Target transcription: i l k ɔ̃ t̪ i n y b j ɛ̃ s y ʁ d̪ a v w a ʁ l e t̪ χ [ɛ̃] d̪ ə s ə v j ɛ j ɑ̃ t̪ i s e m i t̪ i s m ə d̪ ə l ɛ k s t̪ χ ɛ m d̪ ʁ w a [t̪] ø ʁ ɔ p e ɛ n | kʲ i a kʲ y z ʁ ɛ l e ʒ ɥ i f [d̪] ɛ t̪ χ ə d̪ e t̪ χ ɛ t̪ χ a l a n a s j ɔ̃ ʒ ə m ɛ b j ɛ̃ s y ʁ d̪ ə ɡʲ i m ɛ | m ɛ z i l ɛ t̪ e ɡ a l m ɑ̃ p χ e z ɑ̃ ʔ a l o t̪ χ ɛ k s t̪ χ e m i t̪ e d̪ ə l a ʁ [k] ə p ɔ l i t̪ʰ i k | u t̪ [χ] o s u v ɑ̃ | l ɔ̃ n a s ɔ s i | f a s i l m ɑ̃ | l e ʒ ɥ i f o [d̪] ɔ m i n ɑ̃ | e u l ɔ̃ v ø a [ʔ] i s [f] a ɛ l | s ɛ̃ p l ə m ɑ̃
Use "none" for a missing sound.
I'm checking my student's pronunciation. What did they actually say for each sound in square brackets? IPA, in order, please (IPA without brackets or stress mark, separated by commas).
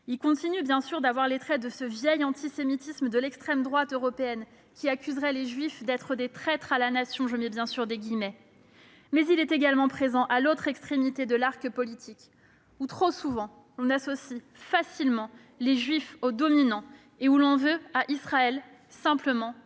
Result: ɛ, t̪, d̪, k, χ, d̪, ʔ, χ